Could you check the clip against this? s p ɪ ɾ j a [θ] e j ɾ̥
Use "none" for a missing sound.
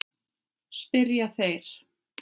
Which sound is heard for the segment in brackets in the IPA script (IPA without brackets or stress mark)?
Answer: θ